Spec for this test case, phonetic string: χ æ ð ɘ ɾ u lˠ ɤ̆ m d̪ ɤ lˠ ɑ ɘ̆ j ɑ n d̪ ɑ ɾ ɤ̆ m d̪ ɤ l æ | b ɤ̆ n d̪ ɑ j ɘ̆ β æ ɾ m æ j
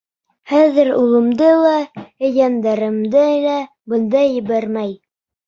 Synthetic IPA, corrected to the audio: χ æ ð ɘ ɾ u lˠ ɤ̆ m d̪ ɤ lˠ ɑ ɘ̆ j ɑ n d̪ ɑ ɾ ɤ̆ m d̪ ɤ l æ | b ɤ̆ n d̪ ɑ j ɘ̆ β æ ɾ m æ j